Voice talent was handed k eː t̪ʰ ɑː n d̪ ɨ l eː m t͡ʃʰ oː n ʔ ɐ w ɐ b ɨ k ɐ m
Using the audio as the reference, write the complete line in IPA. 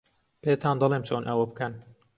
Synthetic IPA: p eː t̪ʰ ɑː n d̪ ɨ l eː m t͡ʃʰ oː n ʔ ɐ w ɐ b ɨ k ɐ n